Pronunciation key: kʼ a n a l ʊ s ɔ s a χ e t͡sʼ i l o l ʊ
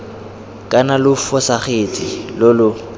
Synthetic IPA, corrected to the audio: kʼ a n a l ʊ f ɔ s a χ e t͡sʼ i l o l ʊ